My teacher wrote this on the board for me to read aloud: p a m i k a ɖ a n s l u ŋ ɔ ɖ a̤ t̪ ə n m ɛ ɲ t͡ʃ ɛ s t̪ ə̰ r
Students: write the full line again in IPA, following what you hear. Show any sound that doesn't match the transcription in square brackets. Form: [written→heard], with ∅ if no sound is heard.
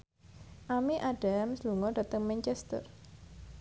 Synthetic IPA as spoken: [p→ʔ] a m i [k→ʔ] a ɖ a [n→m] s l u ŋ ɔ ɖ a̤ t̪ ə [n→ŋ] m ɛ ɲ t͡ʃ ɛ s t̪ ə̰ r